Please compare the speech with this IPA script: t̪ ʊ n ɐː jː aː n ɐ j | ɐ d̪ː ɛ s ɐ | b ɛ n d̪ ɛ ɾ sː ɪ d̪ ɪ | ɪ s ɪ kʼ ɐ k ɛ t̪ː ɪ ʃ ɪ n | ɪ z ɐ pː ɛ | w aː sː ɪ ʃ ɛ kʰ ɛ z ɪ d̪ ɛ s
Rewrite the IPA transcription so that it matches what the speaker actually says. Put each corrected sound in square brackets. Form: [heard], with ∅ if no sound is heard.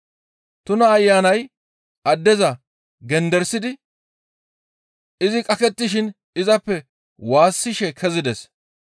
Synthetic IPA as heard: t̪ ʊ n ɐː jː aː n ɐ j | ɐ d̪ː ɛ [z] ɐ | [ɡ] ɛ n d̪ ɛ ɾ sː ɪ d̪ ɪ | ɪ [z] ɪ kʼ ɐ k ɛ t̪ː ɪ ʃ ɪ n | ɪ z ɐ pː ɛ | w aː sː ɪ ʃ ɛ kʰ ɛ z ɪ d̪ ɛ s